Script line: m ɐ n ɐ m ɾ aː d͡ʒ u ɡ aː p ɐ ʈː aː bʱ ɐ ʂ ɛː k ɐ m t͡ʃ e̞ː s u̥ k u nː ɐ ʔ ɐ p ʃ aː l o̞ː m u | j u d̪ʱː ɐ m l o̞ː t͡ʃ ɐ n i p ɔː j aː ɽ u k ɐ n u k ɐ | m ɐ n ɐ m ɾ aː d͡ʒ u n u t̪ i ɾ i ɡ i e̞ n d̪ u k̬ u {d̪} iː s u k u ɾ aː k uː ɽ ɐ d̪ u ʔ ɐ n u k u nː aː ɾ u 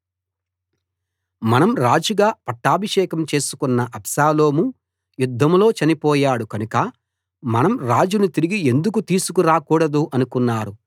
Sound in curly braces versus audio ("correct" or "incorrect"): incorrect